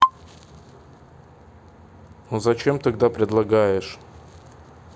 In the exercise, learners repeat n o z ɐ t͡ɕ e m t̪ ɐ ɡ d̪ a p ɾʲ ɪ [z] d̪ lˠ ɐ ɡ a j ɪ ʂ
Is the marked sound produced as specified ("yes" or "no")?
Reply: no